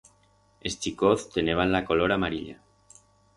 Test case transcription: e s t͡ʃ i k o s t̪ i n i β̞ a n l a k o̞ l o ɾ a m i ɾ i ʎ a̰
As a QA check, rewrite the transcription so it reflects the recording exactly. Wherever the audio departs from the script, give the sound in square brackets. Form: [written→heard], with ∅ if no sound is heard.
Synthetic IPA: e s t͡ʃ i k o [s→θ] t̪ [i→e] n [i→e] β̞ a n l a k o̞ l o ɾ a m [i→a] ɾ i ʎ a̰